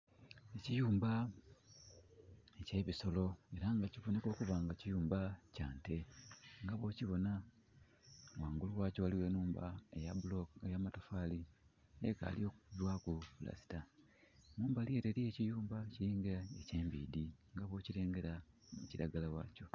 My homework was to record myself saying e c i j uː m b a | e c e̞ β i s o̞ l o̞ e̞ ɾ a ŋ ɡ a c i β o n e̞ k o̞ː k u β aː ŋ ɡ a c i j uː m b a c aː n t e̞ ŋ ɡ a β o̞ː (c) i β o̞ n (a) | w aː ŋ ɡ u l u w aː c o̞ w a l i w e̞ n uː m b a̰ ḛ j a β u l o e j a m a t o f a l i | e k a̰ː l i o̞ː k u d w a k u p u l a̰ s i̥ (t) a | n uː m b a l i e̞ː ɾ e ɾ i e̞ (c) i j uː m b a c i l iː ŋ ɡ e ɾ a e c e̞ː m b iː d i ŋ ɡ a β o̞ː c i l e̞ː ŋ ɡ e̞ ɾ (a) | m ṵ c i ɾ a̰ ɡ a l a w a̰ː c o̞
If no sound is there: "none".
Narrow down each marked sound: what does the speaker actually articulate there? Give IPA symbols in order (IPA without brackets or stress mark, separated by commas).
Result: c, a, t, c, a